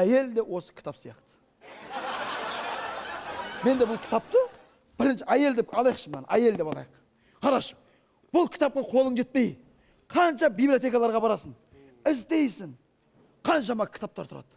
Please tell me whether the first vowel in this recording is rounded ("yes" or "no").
no